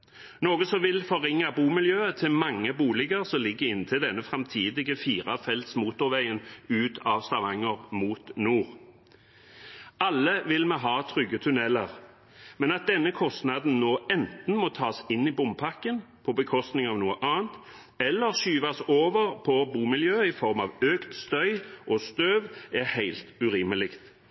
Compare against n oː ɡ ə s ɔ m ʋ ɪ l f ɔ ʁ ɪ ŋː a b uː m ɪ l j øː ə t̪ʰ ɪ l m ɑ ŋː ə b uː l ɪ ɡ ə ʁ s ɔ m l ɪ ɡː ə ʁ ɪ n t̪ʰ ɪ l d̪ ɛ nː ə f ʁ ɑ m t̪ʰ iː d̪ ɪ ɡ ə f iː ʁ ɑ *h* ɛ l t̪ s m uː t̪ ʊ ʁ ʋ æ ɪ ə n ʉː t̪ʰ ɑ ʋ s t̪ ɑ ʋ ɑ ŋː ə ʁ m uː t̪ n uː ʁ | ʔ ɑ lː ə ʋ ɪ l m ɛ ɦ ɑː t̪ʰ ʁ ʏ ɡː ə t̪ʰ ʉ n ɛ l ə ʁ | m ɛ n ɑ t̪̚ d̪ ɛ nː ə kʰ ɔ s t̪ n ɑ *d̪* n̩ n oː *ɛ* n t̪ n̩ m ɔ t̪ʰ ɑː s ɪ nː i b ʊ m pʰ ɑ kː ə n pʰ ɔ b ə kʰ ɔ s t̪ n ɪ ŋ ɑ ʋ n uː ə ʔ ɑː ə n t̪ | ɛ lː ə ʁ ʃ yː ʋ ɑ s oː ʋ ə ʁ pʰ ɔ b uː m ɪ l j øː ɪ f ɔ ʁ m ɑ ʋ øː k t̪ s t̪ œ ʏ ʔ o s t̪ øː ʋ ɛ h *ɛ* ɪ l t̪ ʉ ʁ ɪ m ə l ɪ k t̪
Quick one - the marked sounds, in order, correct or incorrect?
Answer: incorrect, correct, correct, incorrect

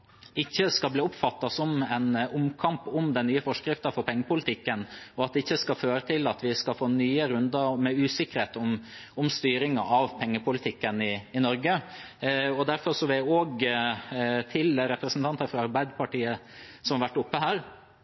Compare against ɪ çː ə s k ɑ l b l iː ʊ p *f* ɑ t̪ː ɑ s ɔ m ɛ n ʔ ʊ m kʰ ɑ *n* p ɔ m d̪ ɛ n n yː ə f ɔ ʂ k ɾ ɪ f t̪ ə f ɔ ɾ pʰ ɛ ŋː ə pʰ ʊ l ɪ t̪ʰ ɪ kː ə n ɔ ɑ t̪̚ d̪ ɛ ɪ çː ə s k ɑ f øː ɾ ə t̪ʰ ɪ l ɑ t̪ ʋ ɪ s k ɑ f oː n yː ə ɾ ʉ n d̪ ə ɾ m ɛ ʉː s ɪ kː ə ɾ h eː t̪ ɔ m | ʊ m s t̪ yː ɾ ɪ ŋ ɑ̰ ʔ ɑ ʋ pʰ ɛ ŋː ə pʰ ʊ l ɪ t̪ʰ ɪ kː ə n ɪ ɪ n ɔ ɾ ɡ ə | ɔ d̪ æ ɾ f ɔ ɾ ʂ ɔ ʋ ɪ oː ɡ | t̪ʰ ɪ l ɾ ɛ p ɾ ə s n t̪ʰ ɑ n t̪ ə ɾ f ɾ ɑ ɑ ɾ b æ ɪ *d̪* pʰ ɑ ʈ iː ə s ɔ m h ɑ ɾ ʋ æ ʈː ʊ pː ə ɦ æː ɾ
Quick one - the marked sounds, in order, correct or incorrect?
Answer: correct, incorrect, correct

